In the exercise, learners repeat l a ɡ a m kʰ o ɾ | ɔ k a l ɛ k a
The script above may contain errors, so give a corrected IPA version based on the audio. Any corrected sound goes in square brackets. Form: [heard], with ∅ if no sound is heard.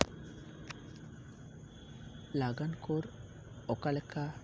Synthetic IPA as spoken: l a ɡ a [n] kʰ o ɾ | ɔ k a l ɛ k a